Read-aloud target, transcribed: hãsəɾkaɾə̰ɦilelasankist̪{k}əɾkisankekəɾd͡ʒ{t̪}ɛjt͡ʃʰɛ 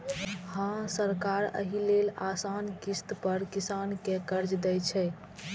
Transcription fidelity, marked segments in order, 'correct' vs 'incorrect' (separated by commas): incorrect, incorrect